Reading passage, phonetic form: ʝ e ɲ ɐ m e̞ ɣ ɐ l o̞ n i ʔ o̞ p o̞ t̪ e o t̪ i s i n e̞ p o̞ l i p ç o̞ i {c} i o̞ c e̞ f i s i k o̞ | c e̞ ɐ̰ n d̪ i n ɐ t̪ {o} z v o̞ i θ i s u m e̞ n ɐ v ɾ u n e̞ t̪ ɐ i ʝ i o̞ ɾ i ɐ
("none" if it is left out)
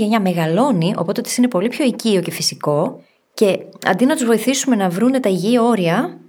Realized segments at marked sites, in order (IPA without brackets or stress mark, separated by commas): c, u